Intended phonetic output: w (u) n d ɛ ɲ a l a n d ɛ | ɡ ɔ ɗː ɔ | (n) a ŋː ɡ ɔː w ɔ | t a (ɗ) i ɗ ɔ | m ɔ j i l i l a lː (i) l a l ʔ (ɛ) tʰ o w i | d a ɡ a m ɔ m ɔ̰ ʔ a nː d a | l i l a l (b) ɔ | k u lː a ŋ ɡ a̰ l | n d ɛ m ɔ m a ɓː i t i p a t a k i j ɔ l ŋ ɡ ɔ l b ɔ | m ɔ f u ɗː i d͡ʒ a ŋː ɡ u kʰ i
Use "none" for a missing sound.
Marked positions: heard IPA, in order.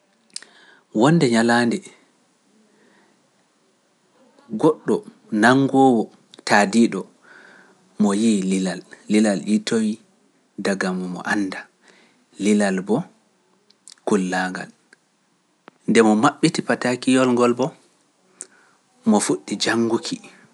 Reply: ɔ, n, d, i, i, b

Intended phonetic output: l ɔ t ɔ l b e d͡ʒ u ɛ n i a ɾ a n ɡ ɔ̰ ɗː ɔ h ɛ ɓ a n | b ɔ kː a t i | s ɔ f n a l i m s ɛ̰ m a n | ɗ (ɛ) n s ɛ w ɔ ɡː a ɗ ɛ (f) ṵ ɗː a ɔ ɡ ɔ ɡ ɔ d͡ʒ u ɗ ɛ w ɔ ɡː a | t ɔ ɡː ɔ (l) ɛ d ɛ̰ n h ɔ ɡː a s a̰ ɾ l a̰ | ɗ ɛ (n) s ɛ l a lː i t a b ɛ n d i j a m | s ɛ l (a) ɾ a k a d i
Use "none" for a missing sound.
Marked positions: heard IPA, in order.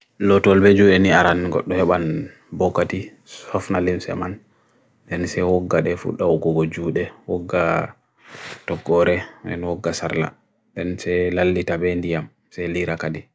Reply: ɛ, f, ɾ, n, i

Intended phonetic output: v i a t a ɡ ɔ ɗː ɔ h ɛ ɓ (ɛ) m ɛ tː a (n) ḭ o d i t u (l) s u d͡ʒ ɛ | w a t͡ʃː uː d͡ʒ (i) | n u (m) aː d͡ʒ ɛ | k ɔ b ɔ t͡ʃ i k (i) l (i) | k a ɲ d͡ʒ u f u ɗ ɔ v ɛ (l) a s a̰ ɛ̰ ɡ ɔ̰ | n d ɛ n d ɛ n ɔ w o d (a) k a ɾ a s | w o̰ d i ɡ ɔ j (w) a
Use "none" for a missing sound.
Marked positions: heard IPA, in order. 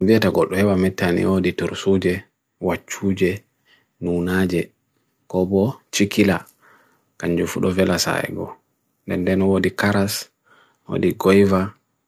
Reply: a, n, ɾ, ɛ, n, i, a, l, i, v

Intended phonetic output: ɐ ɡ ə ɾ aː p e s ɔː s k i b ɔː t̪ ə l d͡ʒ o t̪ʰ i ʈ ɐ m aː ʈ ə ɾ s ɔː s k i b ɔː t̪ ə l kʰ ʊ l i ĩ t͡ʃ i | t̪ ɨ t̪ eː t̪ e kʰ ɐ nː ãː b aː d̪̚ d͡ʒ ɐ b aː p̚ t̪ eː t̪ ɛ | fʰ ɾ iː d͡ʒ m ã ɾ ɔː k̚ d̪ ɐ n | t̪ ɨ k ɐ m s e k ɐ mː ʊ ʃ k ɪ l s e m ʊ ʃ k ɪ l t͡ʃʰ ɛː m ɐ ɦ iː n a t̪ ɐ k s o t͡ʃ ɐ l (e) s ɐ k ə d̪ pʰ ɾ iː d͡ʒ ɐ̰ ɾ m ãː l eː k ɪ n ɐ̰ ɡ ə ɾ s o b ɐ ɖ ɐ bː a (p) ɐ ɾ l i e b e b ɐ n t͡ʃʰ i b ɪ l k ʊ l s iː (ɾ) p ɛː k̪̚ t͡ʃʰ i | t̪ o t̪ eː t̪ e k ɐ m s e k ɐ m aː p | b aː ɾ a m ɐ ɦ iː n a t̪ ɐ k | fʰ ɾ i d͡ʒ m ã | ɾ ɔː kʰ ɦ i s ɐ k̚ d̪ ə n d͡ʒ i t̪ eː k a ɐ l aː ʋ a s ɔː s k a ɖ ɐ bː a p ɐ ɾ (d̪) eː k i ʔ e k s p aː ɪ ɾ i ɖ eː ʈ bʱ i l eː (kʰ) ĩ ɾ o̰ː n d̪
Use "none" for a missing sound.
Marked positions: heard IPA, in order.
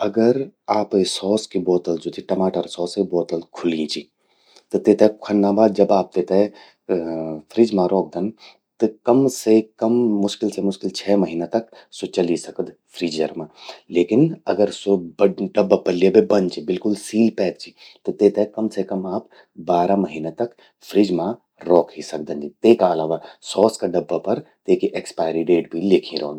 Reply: i, p, l, t̪, kʰ

